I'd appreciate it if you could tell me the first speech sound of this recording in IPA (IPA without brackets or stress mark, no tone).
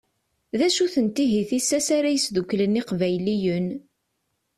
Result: ð